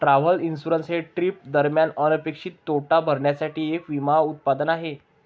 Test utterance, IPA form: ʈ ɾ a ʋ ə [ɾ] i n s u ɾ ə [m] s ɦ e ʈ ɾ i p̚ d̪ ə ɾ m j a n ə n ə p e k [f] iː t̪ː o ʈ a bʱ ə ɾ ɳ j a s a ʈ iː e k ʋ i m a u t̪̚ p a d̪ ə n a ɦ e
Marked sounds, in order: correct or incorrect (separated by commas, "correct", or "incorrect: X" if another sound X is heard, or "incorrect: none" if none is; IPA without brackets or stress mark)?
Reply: incorrect: l, incorrect: n, incorrect: ʂ